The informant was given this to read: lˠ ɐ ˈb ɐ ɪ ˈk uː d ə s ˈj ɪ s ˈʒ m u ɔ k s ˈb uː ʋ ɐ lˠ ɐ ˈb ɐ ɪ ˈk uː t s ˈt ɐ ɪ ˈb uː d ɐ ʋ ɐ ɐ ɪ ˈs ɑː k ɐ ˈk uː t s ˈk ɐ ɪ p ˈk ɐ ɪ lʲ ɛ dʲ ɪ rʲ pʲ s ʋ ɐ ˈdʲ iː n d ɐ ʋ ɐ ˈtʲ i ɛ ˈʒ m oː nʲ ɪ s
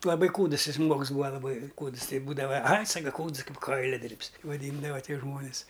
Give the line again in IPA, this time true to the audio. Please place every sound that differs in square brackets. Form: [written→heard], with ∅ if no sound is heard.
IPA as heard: lˠ ɐ ˈb ɐ ɪ ˈk uː d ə s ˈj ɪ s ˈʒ m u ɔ k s ˈb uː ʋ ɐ lˠ ɐ ˈb ɐ ɪ ˈk uː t s ˈt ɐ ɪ ˈb uː d ɐ ʋ ɐ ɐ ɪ ˈs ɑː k ɐ ˈk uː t s ˈk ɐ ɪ p ˈk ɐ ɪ lʲ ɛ dʲ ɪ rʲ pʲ s ʋ ɐ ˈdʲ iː n d ɐ ʋ ɐ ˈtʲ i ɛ ˈʒ m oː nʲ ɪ s